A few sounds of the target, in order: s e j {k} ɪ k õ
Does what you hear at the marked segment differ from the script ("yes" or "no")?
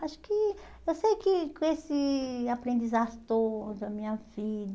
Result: no